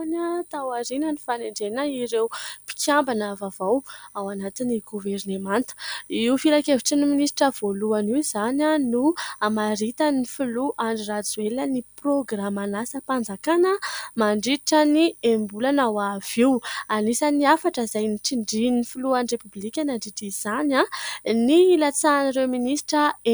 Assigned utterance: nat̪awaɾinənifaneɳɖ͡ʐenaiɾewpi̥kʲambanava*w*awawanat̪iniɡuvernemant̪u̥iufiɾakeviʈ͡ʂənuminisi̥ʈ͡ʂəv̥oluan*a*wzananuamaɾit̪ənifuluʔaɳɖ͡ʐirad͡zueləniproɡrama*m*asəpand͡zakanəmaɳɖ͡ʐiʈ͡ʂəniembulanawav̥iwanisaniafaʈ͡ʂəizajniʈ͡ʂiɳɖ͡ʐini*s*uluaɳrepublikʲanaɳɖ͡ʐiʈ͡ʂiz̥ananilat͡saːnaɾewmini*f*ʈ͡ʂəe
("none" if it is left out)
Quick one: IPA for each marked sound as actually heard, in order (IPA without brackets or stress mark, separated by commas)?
v, i, n, f, s